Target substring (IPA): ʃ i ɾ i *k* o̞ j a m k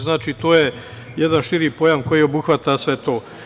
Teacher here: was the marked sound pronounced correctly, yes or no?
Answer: no